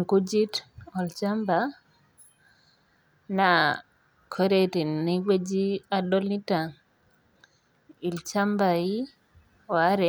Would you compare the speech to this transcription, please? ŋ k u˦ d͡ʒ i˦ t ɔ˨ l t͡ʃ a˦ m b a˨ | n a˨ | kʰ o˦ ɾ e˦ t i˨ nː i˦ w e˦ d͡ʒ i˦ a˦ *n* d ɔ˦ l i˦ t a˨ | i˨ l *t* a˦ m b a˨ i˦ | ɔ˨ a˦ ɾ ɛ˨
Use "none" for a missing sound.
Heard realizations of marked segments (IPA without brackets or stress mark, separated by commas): none, t͡ʃ